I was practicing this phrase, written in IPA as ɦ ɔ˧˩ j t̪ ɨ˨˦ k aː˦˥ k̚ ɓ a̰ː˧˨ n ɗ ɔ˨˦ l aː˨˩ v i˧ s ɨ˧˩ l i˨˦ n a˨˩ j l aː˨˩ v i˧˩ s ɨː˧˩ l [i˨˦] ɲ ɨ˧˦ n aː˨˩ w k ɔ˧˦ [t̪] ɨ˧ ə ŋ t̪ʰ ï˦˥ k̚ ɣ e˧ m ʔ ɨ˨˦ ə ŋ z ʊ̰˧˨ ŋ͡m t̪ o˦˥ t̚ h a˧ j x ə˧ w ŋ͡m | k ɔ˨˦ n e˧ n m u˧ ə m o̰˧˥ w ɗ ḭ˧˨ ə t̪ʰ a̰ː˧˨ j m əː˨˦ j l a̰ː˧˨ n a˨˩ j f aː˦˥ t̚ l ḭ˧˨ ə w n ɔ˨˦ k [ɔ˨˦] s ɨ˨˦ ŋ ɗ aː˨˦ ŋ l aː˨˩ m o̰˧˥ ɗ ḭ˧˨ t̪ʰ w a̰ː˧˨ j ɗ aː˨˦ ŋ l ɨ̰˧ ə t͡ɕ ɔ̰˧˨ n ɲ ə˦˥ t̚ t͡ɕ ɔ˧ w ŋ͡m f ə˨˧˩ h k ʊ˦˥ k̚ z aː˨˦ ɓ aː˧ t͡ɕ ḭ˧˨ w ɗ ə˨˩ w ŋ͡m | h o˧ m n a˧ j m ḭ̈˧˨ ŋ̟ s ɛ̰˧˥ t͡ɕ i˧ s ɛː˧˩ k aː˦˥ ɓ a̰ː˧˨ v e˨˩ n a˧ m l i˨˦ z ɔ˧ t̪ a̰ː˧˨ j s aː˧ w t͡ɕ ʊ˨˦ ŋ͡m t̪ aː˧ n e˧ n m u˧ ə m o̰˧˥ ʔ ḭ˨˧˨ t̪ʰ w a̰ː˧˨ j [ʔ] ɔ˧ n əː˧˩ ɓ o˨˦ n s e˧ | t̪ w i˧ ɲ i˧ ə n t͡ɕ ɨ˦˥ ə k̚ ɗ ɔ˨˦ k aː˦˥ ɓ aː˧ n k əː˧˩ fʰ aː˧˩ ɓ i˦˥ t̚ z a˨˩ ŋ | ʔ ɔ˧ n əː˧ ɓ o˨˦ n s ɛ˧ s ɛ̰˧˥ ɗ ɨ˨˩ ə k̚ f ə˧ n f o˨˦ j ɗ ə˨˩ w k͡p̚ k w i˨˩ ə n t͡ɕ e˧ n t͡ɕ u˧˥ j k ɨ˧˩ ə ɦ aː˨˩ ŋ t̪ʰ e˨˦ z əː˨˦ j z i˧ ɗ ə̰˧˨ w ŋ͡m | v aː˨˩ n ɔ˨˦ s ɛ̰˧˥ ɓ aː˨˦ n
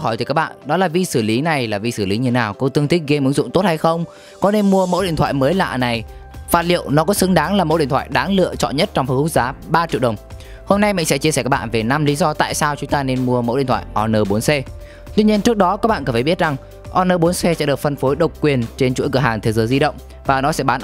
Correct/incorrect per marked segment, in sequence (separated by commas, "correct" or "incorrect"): correct, correct, correct, correct